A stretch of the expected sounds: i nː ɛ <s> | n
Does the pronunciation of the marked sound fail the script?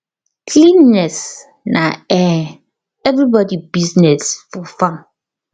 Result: no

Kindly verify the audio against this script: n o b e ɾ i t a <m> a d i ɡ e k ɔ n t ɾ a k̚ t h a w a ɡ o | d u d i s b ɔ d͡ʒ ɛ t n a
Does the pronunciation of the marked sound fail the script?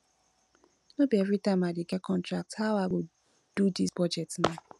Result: no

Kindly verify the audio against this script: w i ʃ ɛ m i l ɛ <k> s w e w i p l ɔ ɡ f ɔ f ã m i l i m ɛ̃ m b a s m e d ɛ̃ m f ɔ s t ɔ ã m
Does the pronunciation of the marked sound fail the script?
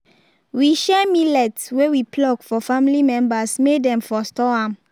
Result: yes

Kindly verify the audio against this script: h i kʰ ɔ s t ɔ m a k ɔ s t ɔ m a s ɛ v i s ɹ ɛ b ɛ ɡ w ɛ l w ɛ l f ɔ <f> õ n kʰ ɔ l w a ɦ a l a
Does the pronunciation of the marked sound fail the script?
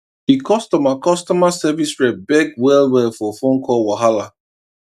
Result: no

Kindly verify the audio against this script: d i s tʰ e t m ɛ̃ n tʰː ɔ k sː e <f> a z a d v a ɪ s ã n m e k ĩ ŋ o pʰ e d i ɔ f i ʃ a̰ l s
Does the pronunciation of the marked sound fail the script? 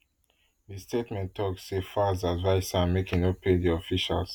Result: no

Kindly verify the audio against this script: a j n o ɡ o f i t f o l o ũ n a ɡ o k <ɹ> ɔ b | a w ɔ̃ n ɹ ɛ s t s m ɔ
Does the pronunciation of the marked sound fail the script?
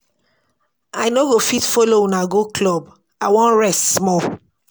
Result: yes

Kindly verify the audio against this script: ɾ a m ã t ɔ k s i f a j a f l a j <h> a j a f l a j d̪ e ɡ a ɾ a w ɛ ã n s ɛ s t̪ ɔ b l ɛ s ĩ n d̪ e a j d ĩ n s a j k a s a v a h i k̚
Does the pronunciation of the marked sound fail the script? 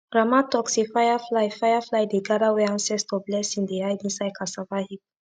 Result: yes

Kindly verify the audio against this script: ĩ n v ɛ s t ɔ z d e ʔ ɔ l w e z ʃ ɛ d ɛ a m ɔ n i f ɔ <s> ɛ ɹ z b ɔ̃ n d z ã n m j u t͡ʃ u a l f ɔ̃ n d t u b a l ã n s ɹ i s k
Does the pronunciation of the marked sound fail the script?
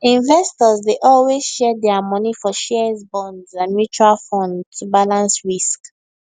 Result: yes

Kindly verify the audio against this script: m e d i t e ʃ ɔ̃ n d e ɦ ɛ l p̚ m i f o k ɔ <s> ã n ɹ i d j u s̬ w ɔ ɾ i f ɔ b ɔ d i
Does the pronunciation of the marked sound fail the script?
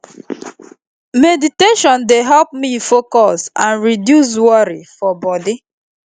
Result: no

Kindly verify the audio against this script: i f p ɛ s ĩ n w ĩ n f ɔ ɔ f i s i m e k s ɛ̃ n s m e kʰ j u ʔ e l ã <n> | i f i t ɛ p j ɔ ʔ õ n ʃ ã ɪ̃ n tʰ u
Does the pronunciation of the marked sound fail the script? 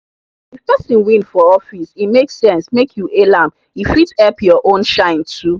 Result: yes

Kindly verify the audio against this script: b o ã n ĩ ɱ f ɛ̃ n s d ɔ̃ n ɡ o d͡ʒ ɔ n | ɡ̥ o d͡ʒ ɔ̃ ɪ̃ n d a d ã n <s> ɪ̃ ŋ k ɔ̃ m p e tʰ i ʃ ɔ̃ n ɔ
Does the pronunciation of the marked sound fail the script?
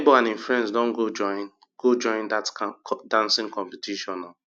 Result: no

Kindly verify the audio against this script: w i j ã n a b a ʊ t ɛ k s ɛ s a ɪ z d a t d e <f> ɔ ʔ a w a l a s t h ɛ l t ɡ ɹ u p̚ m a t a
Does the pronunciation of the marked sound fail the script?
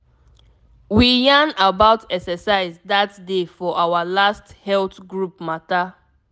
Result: no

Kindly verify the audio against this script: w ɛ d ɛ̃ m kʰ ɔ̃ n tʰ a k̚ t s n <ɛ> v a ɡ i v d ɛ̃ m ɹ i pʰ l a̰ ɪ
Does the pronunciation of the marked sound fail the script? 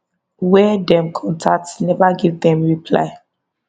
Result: no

